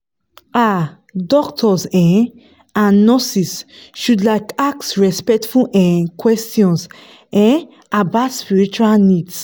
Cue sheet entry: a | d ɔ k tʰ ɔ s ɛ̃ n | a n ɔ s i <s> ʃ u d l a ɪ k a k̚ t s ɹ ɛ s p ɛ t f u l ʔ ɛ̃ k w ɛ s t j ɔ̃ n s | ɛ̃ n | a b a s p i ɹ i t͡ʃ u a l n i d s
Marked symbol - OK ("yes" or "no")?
yes